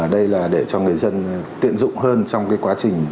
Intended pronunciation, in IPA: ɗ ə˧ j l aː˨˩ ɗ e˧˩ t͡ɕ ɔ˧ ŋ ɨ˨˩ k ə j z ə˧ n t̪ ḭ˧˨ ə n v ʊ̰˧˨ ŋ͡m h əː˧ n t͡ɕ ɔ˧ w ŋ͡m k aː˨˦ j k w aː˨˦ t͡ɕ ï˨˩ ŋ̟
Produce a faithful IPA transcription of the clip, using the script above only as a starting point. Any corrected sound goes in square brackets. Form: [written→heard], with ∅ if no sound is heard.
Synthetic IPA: ɗ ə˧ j l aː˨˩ ɗ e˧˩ t͡ɕ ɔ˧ ŋ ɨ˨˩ [k→∅] ə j z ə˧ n t̪ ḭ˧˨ ə n [v→z] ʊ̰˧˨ ŋ͡m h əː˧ n t͡ɕ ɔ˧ w ŋ͡m k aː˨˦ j k w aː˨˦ t͡ɕ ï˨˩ ŋ̟

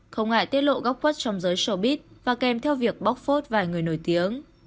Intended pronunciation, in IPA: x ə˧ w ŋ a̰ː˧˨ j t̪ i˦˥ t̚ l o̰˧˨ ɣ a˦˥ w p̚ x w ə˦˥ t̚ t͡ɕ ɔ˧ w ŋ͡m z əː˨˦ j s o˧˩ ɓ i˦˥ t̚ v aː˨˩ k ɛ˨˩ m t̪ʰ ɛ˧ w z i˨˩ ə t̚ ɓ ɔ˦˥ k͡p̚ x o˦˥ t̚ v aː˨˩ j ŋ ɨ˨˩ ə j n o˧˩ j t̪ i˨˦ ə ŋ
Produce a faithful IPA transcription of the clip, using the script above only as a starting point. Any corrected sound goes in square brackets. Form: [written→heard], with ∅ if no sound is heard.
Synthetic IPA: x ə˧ w ŋ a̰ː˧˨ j t̪ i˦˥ t̚ l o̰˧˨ ɣ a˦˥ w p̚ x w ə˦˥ t̚ t͡ɕ ɔ˧ w ŋ͡m z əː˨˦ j s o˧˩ ɓ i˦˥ t̚ v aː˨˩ k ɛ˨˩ m t̪ʰ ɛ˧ w [z→v] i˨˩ ə [t̚→k̚] ɓ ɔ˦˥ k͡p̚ [x→f] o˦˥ t̚ v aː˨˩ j ŋ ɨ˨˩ ə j n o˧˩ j t̪ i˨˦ ə ŋ

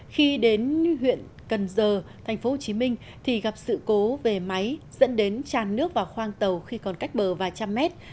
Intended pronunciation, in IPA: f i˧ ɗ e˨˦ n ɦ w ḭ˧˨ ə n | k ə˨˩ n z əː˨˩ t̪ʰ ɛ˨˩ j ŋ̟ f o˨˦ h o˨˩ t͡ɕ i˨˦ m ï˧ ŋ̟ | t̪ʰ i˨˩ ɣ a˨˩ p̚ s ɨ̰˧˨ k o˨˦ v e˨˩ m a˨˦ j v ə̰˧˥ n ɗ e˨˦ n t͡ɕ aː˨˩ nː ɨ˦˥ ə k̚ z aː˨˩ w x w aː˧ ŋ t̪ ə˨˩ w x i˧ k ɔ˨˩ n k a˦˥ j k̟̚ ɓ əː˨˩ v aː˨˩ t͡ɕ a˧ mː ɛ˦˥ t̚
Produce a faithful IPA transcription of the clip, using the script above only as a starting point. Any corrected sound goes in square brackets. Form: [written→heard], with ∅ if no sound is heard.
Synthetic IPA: [f→x] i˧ ɗ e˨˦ n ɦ w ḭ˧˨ ə n | k ə˨˩ n z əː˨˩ t̪ʰ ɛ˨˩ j ŋ̟ f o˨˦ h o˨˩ t͡ɕ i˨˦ m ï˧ ŋ̟ | t̪ʰ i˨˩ ɣ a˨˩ p̚ s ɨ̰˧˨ k o˨˦ v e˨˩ m a˨˦ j [v→z] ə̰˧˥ n ɗ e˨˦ n t͡ɕ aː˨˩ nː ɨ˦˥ ə k̚ [z→v] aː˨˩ w x w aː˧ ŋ t̪ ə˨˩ w x i˧ k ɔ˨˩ n k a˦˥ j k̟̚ ɓ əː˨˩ v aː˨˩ t͡ɕ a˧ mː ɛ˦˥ t̚

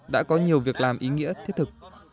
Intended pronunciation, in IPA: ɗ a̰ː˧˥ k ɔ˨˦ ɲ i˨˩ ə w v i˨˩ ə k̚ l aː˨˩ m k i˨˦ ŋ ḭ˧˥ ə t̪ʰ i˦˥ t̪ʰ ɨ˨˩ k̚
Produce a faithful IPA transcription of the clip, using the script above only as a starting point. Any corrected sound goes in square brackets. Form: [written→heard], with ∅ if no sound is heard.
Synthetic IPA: ɗ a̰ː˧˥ k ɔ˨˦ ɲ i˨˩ ə w v i˨˩ ə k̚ l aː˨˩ m [k→ʔ] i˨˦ ŋ ḭ˧˥ ə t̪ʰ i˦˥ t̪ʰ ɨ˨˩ k̚

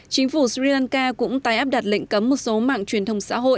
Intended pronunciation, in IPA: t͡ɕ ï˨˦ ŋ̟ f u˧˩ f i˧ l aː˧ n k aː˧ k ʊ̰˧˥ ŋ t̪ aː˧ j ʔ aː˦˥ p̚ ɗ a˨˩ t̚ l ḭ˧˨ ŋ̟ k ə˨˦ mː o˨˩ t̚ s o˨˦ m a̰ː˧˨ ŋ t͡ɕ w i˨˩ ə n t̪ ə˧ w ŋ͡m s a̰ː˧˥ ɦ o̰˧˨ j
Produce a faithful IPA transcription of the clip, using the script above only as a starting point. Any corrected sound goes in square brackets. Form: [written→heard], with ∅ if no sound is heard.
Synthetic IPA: t͡ɕ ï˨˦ ŋ̟ f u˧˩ [f→s] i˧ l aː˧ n k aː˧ k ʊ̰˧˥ [ŋ→ŋ͡m] t̪ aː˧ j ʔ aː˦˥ p̚ ɗ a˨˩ t̚ l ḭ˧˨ ŋ̟ k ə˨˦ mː o˨˩ t̚ s o˨˦ m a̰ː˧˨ ŋ t͡ɕ w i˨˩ ə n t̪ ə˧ w ŋ͡m s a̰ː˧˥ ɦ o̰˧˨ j

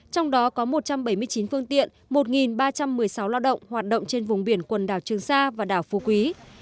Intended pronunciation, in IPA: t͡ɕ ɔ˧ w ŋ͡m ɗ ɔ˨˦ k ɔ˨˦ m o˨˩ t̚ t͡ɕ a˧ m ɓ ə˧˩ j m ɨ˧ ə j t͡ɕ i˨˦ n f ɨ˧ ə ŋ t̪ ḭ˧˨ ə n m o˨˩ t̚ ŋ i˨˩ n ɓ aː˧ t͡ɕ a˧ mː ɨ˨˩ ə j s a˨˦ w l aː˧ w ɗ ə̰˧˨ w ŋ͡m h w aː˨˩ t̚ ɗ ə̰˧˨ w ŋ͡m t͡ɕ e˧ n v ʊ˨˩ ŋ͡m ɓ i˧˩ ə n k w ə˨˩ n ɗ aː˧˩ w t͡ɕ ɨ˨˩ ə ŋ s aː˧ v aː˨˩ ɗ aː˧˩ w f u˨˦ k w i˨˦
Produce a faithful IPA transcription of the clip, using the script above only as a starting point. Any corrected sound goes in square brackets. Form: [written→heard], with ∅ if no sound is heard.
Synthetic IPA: t͡ɕ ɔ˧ w ŋ͡m ɗ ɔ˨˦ k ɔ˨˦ m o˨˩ t̚ t͡ɕ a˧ m ɓ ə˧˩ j m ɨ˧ ə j t͡ɕ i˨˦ n f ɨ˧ ə ŋ t̪ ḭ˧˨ ə n m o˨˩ t̚ ŋ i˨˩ n ɓ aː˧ t͡ɕ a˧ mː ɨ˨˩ ə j s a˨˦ w l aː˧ w ɗ ə̰˧˨ w ŋ͡m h w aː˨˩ t̚ ɗ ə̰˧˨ w ŋ͡m t͡ɕ e˧ n v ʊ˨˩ ŋ͡m ɓ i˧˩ ə n k w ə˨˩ n ɗ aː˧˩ w t͡ɕ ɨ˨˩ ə ŋ s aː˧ v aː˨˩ ɗ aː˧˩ w f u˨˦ k w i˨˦

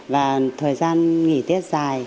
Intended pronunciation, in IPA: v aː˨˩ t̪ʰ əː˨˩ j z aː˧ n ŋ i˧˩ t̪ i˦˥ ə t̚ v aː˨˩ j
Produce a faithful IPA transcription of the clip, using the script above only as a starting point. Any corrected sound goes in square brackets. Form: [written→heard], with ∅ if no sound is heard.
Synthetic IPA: v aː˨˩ t̪ʰ əː˨˩ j z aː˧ n ŋ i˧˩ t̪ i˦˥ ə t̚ [v→z] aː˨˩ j

